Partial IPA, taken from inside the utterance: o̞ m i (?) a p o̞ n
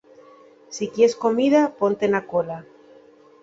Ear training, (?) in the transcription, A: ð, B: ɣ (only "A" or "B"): A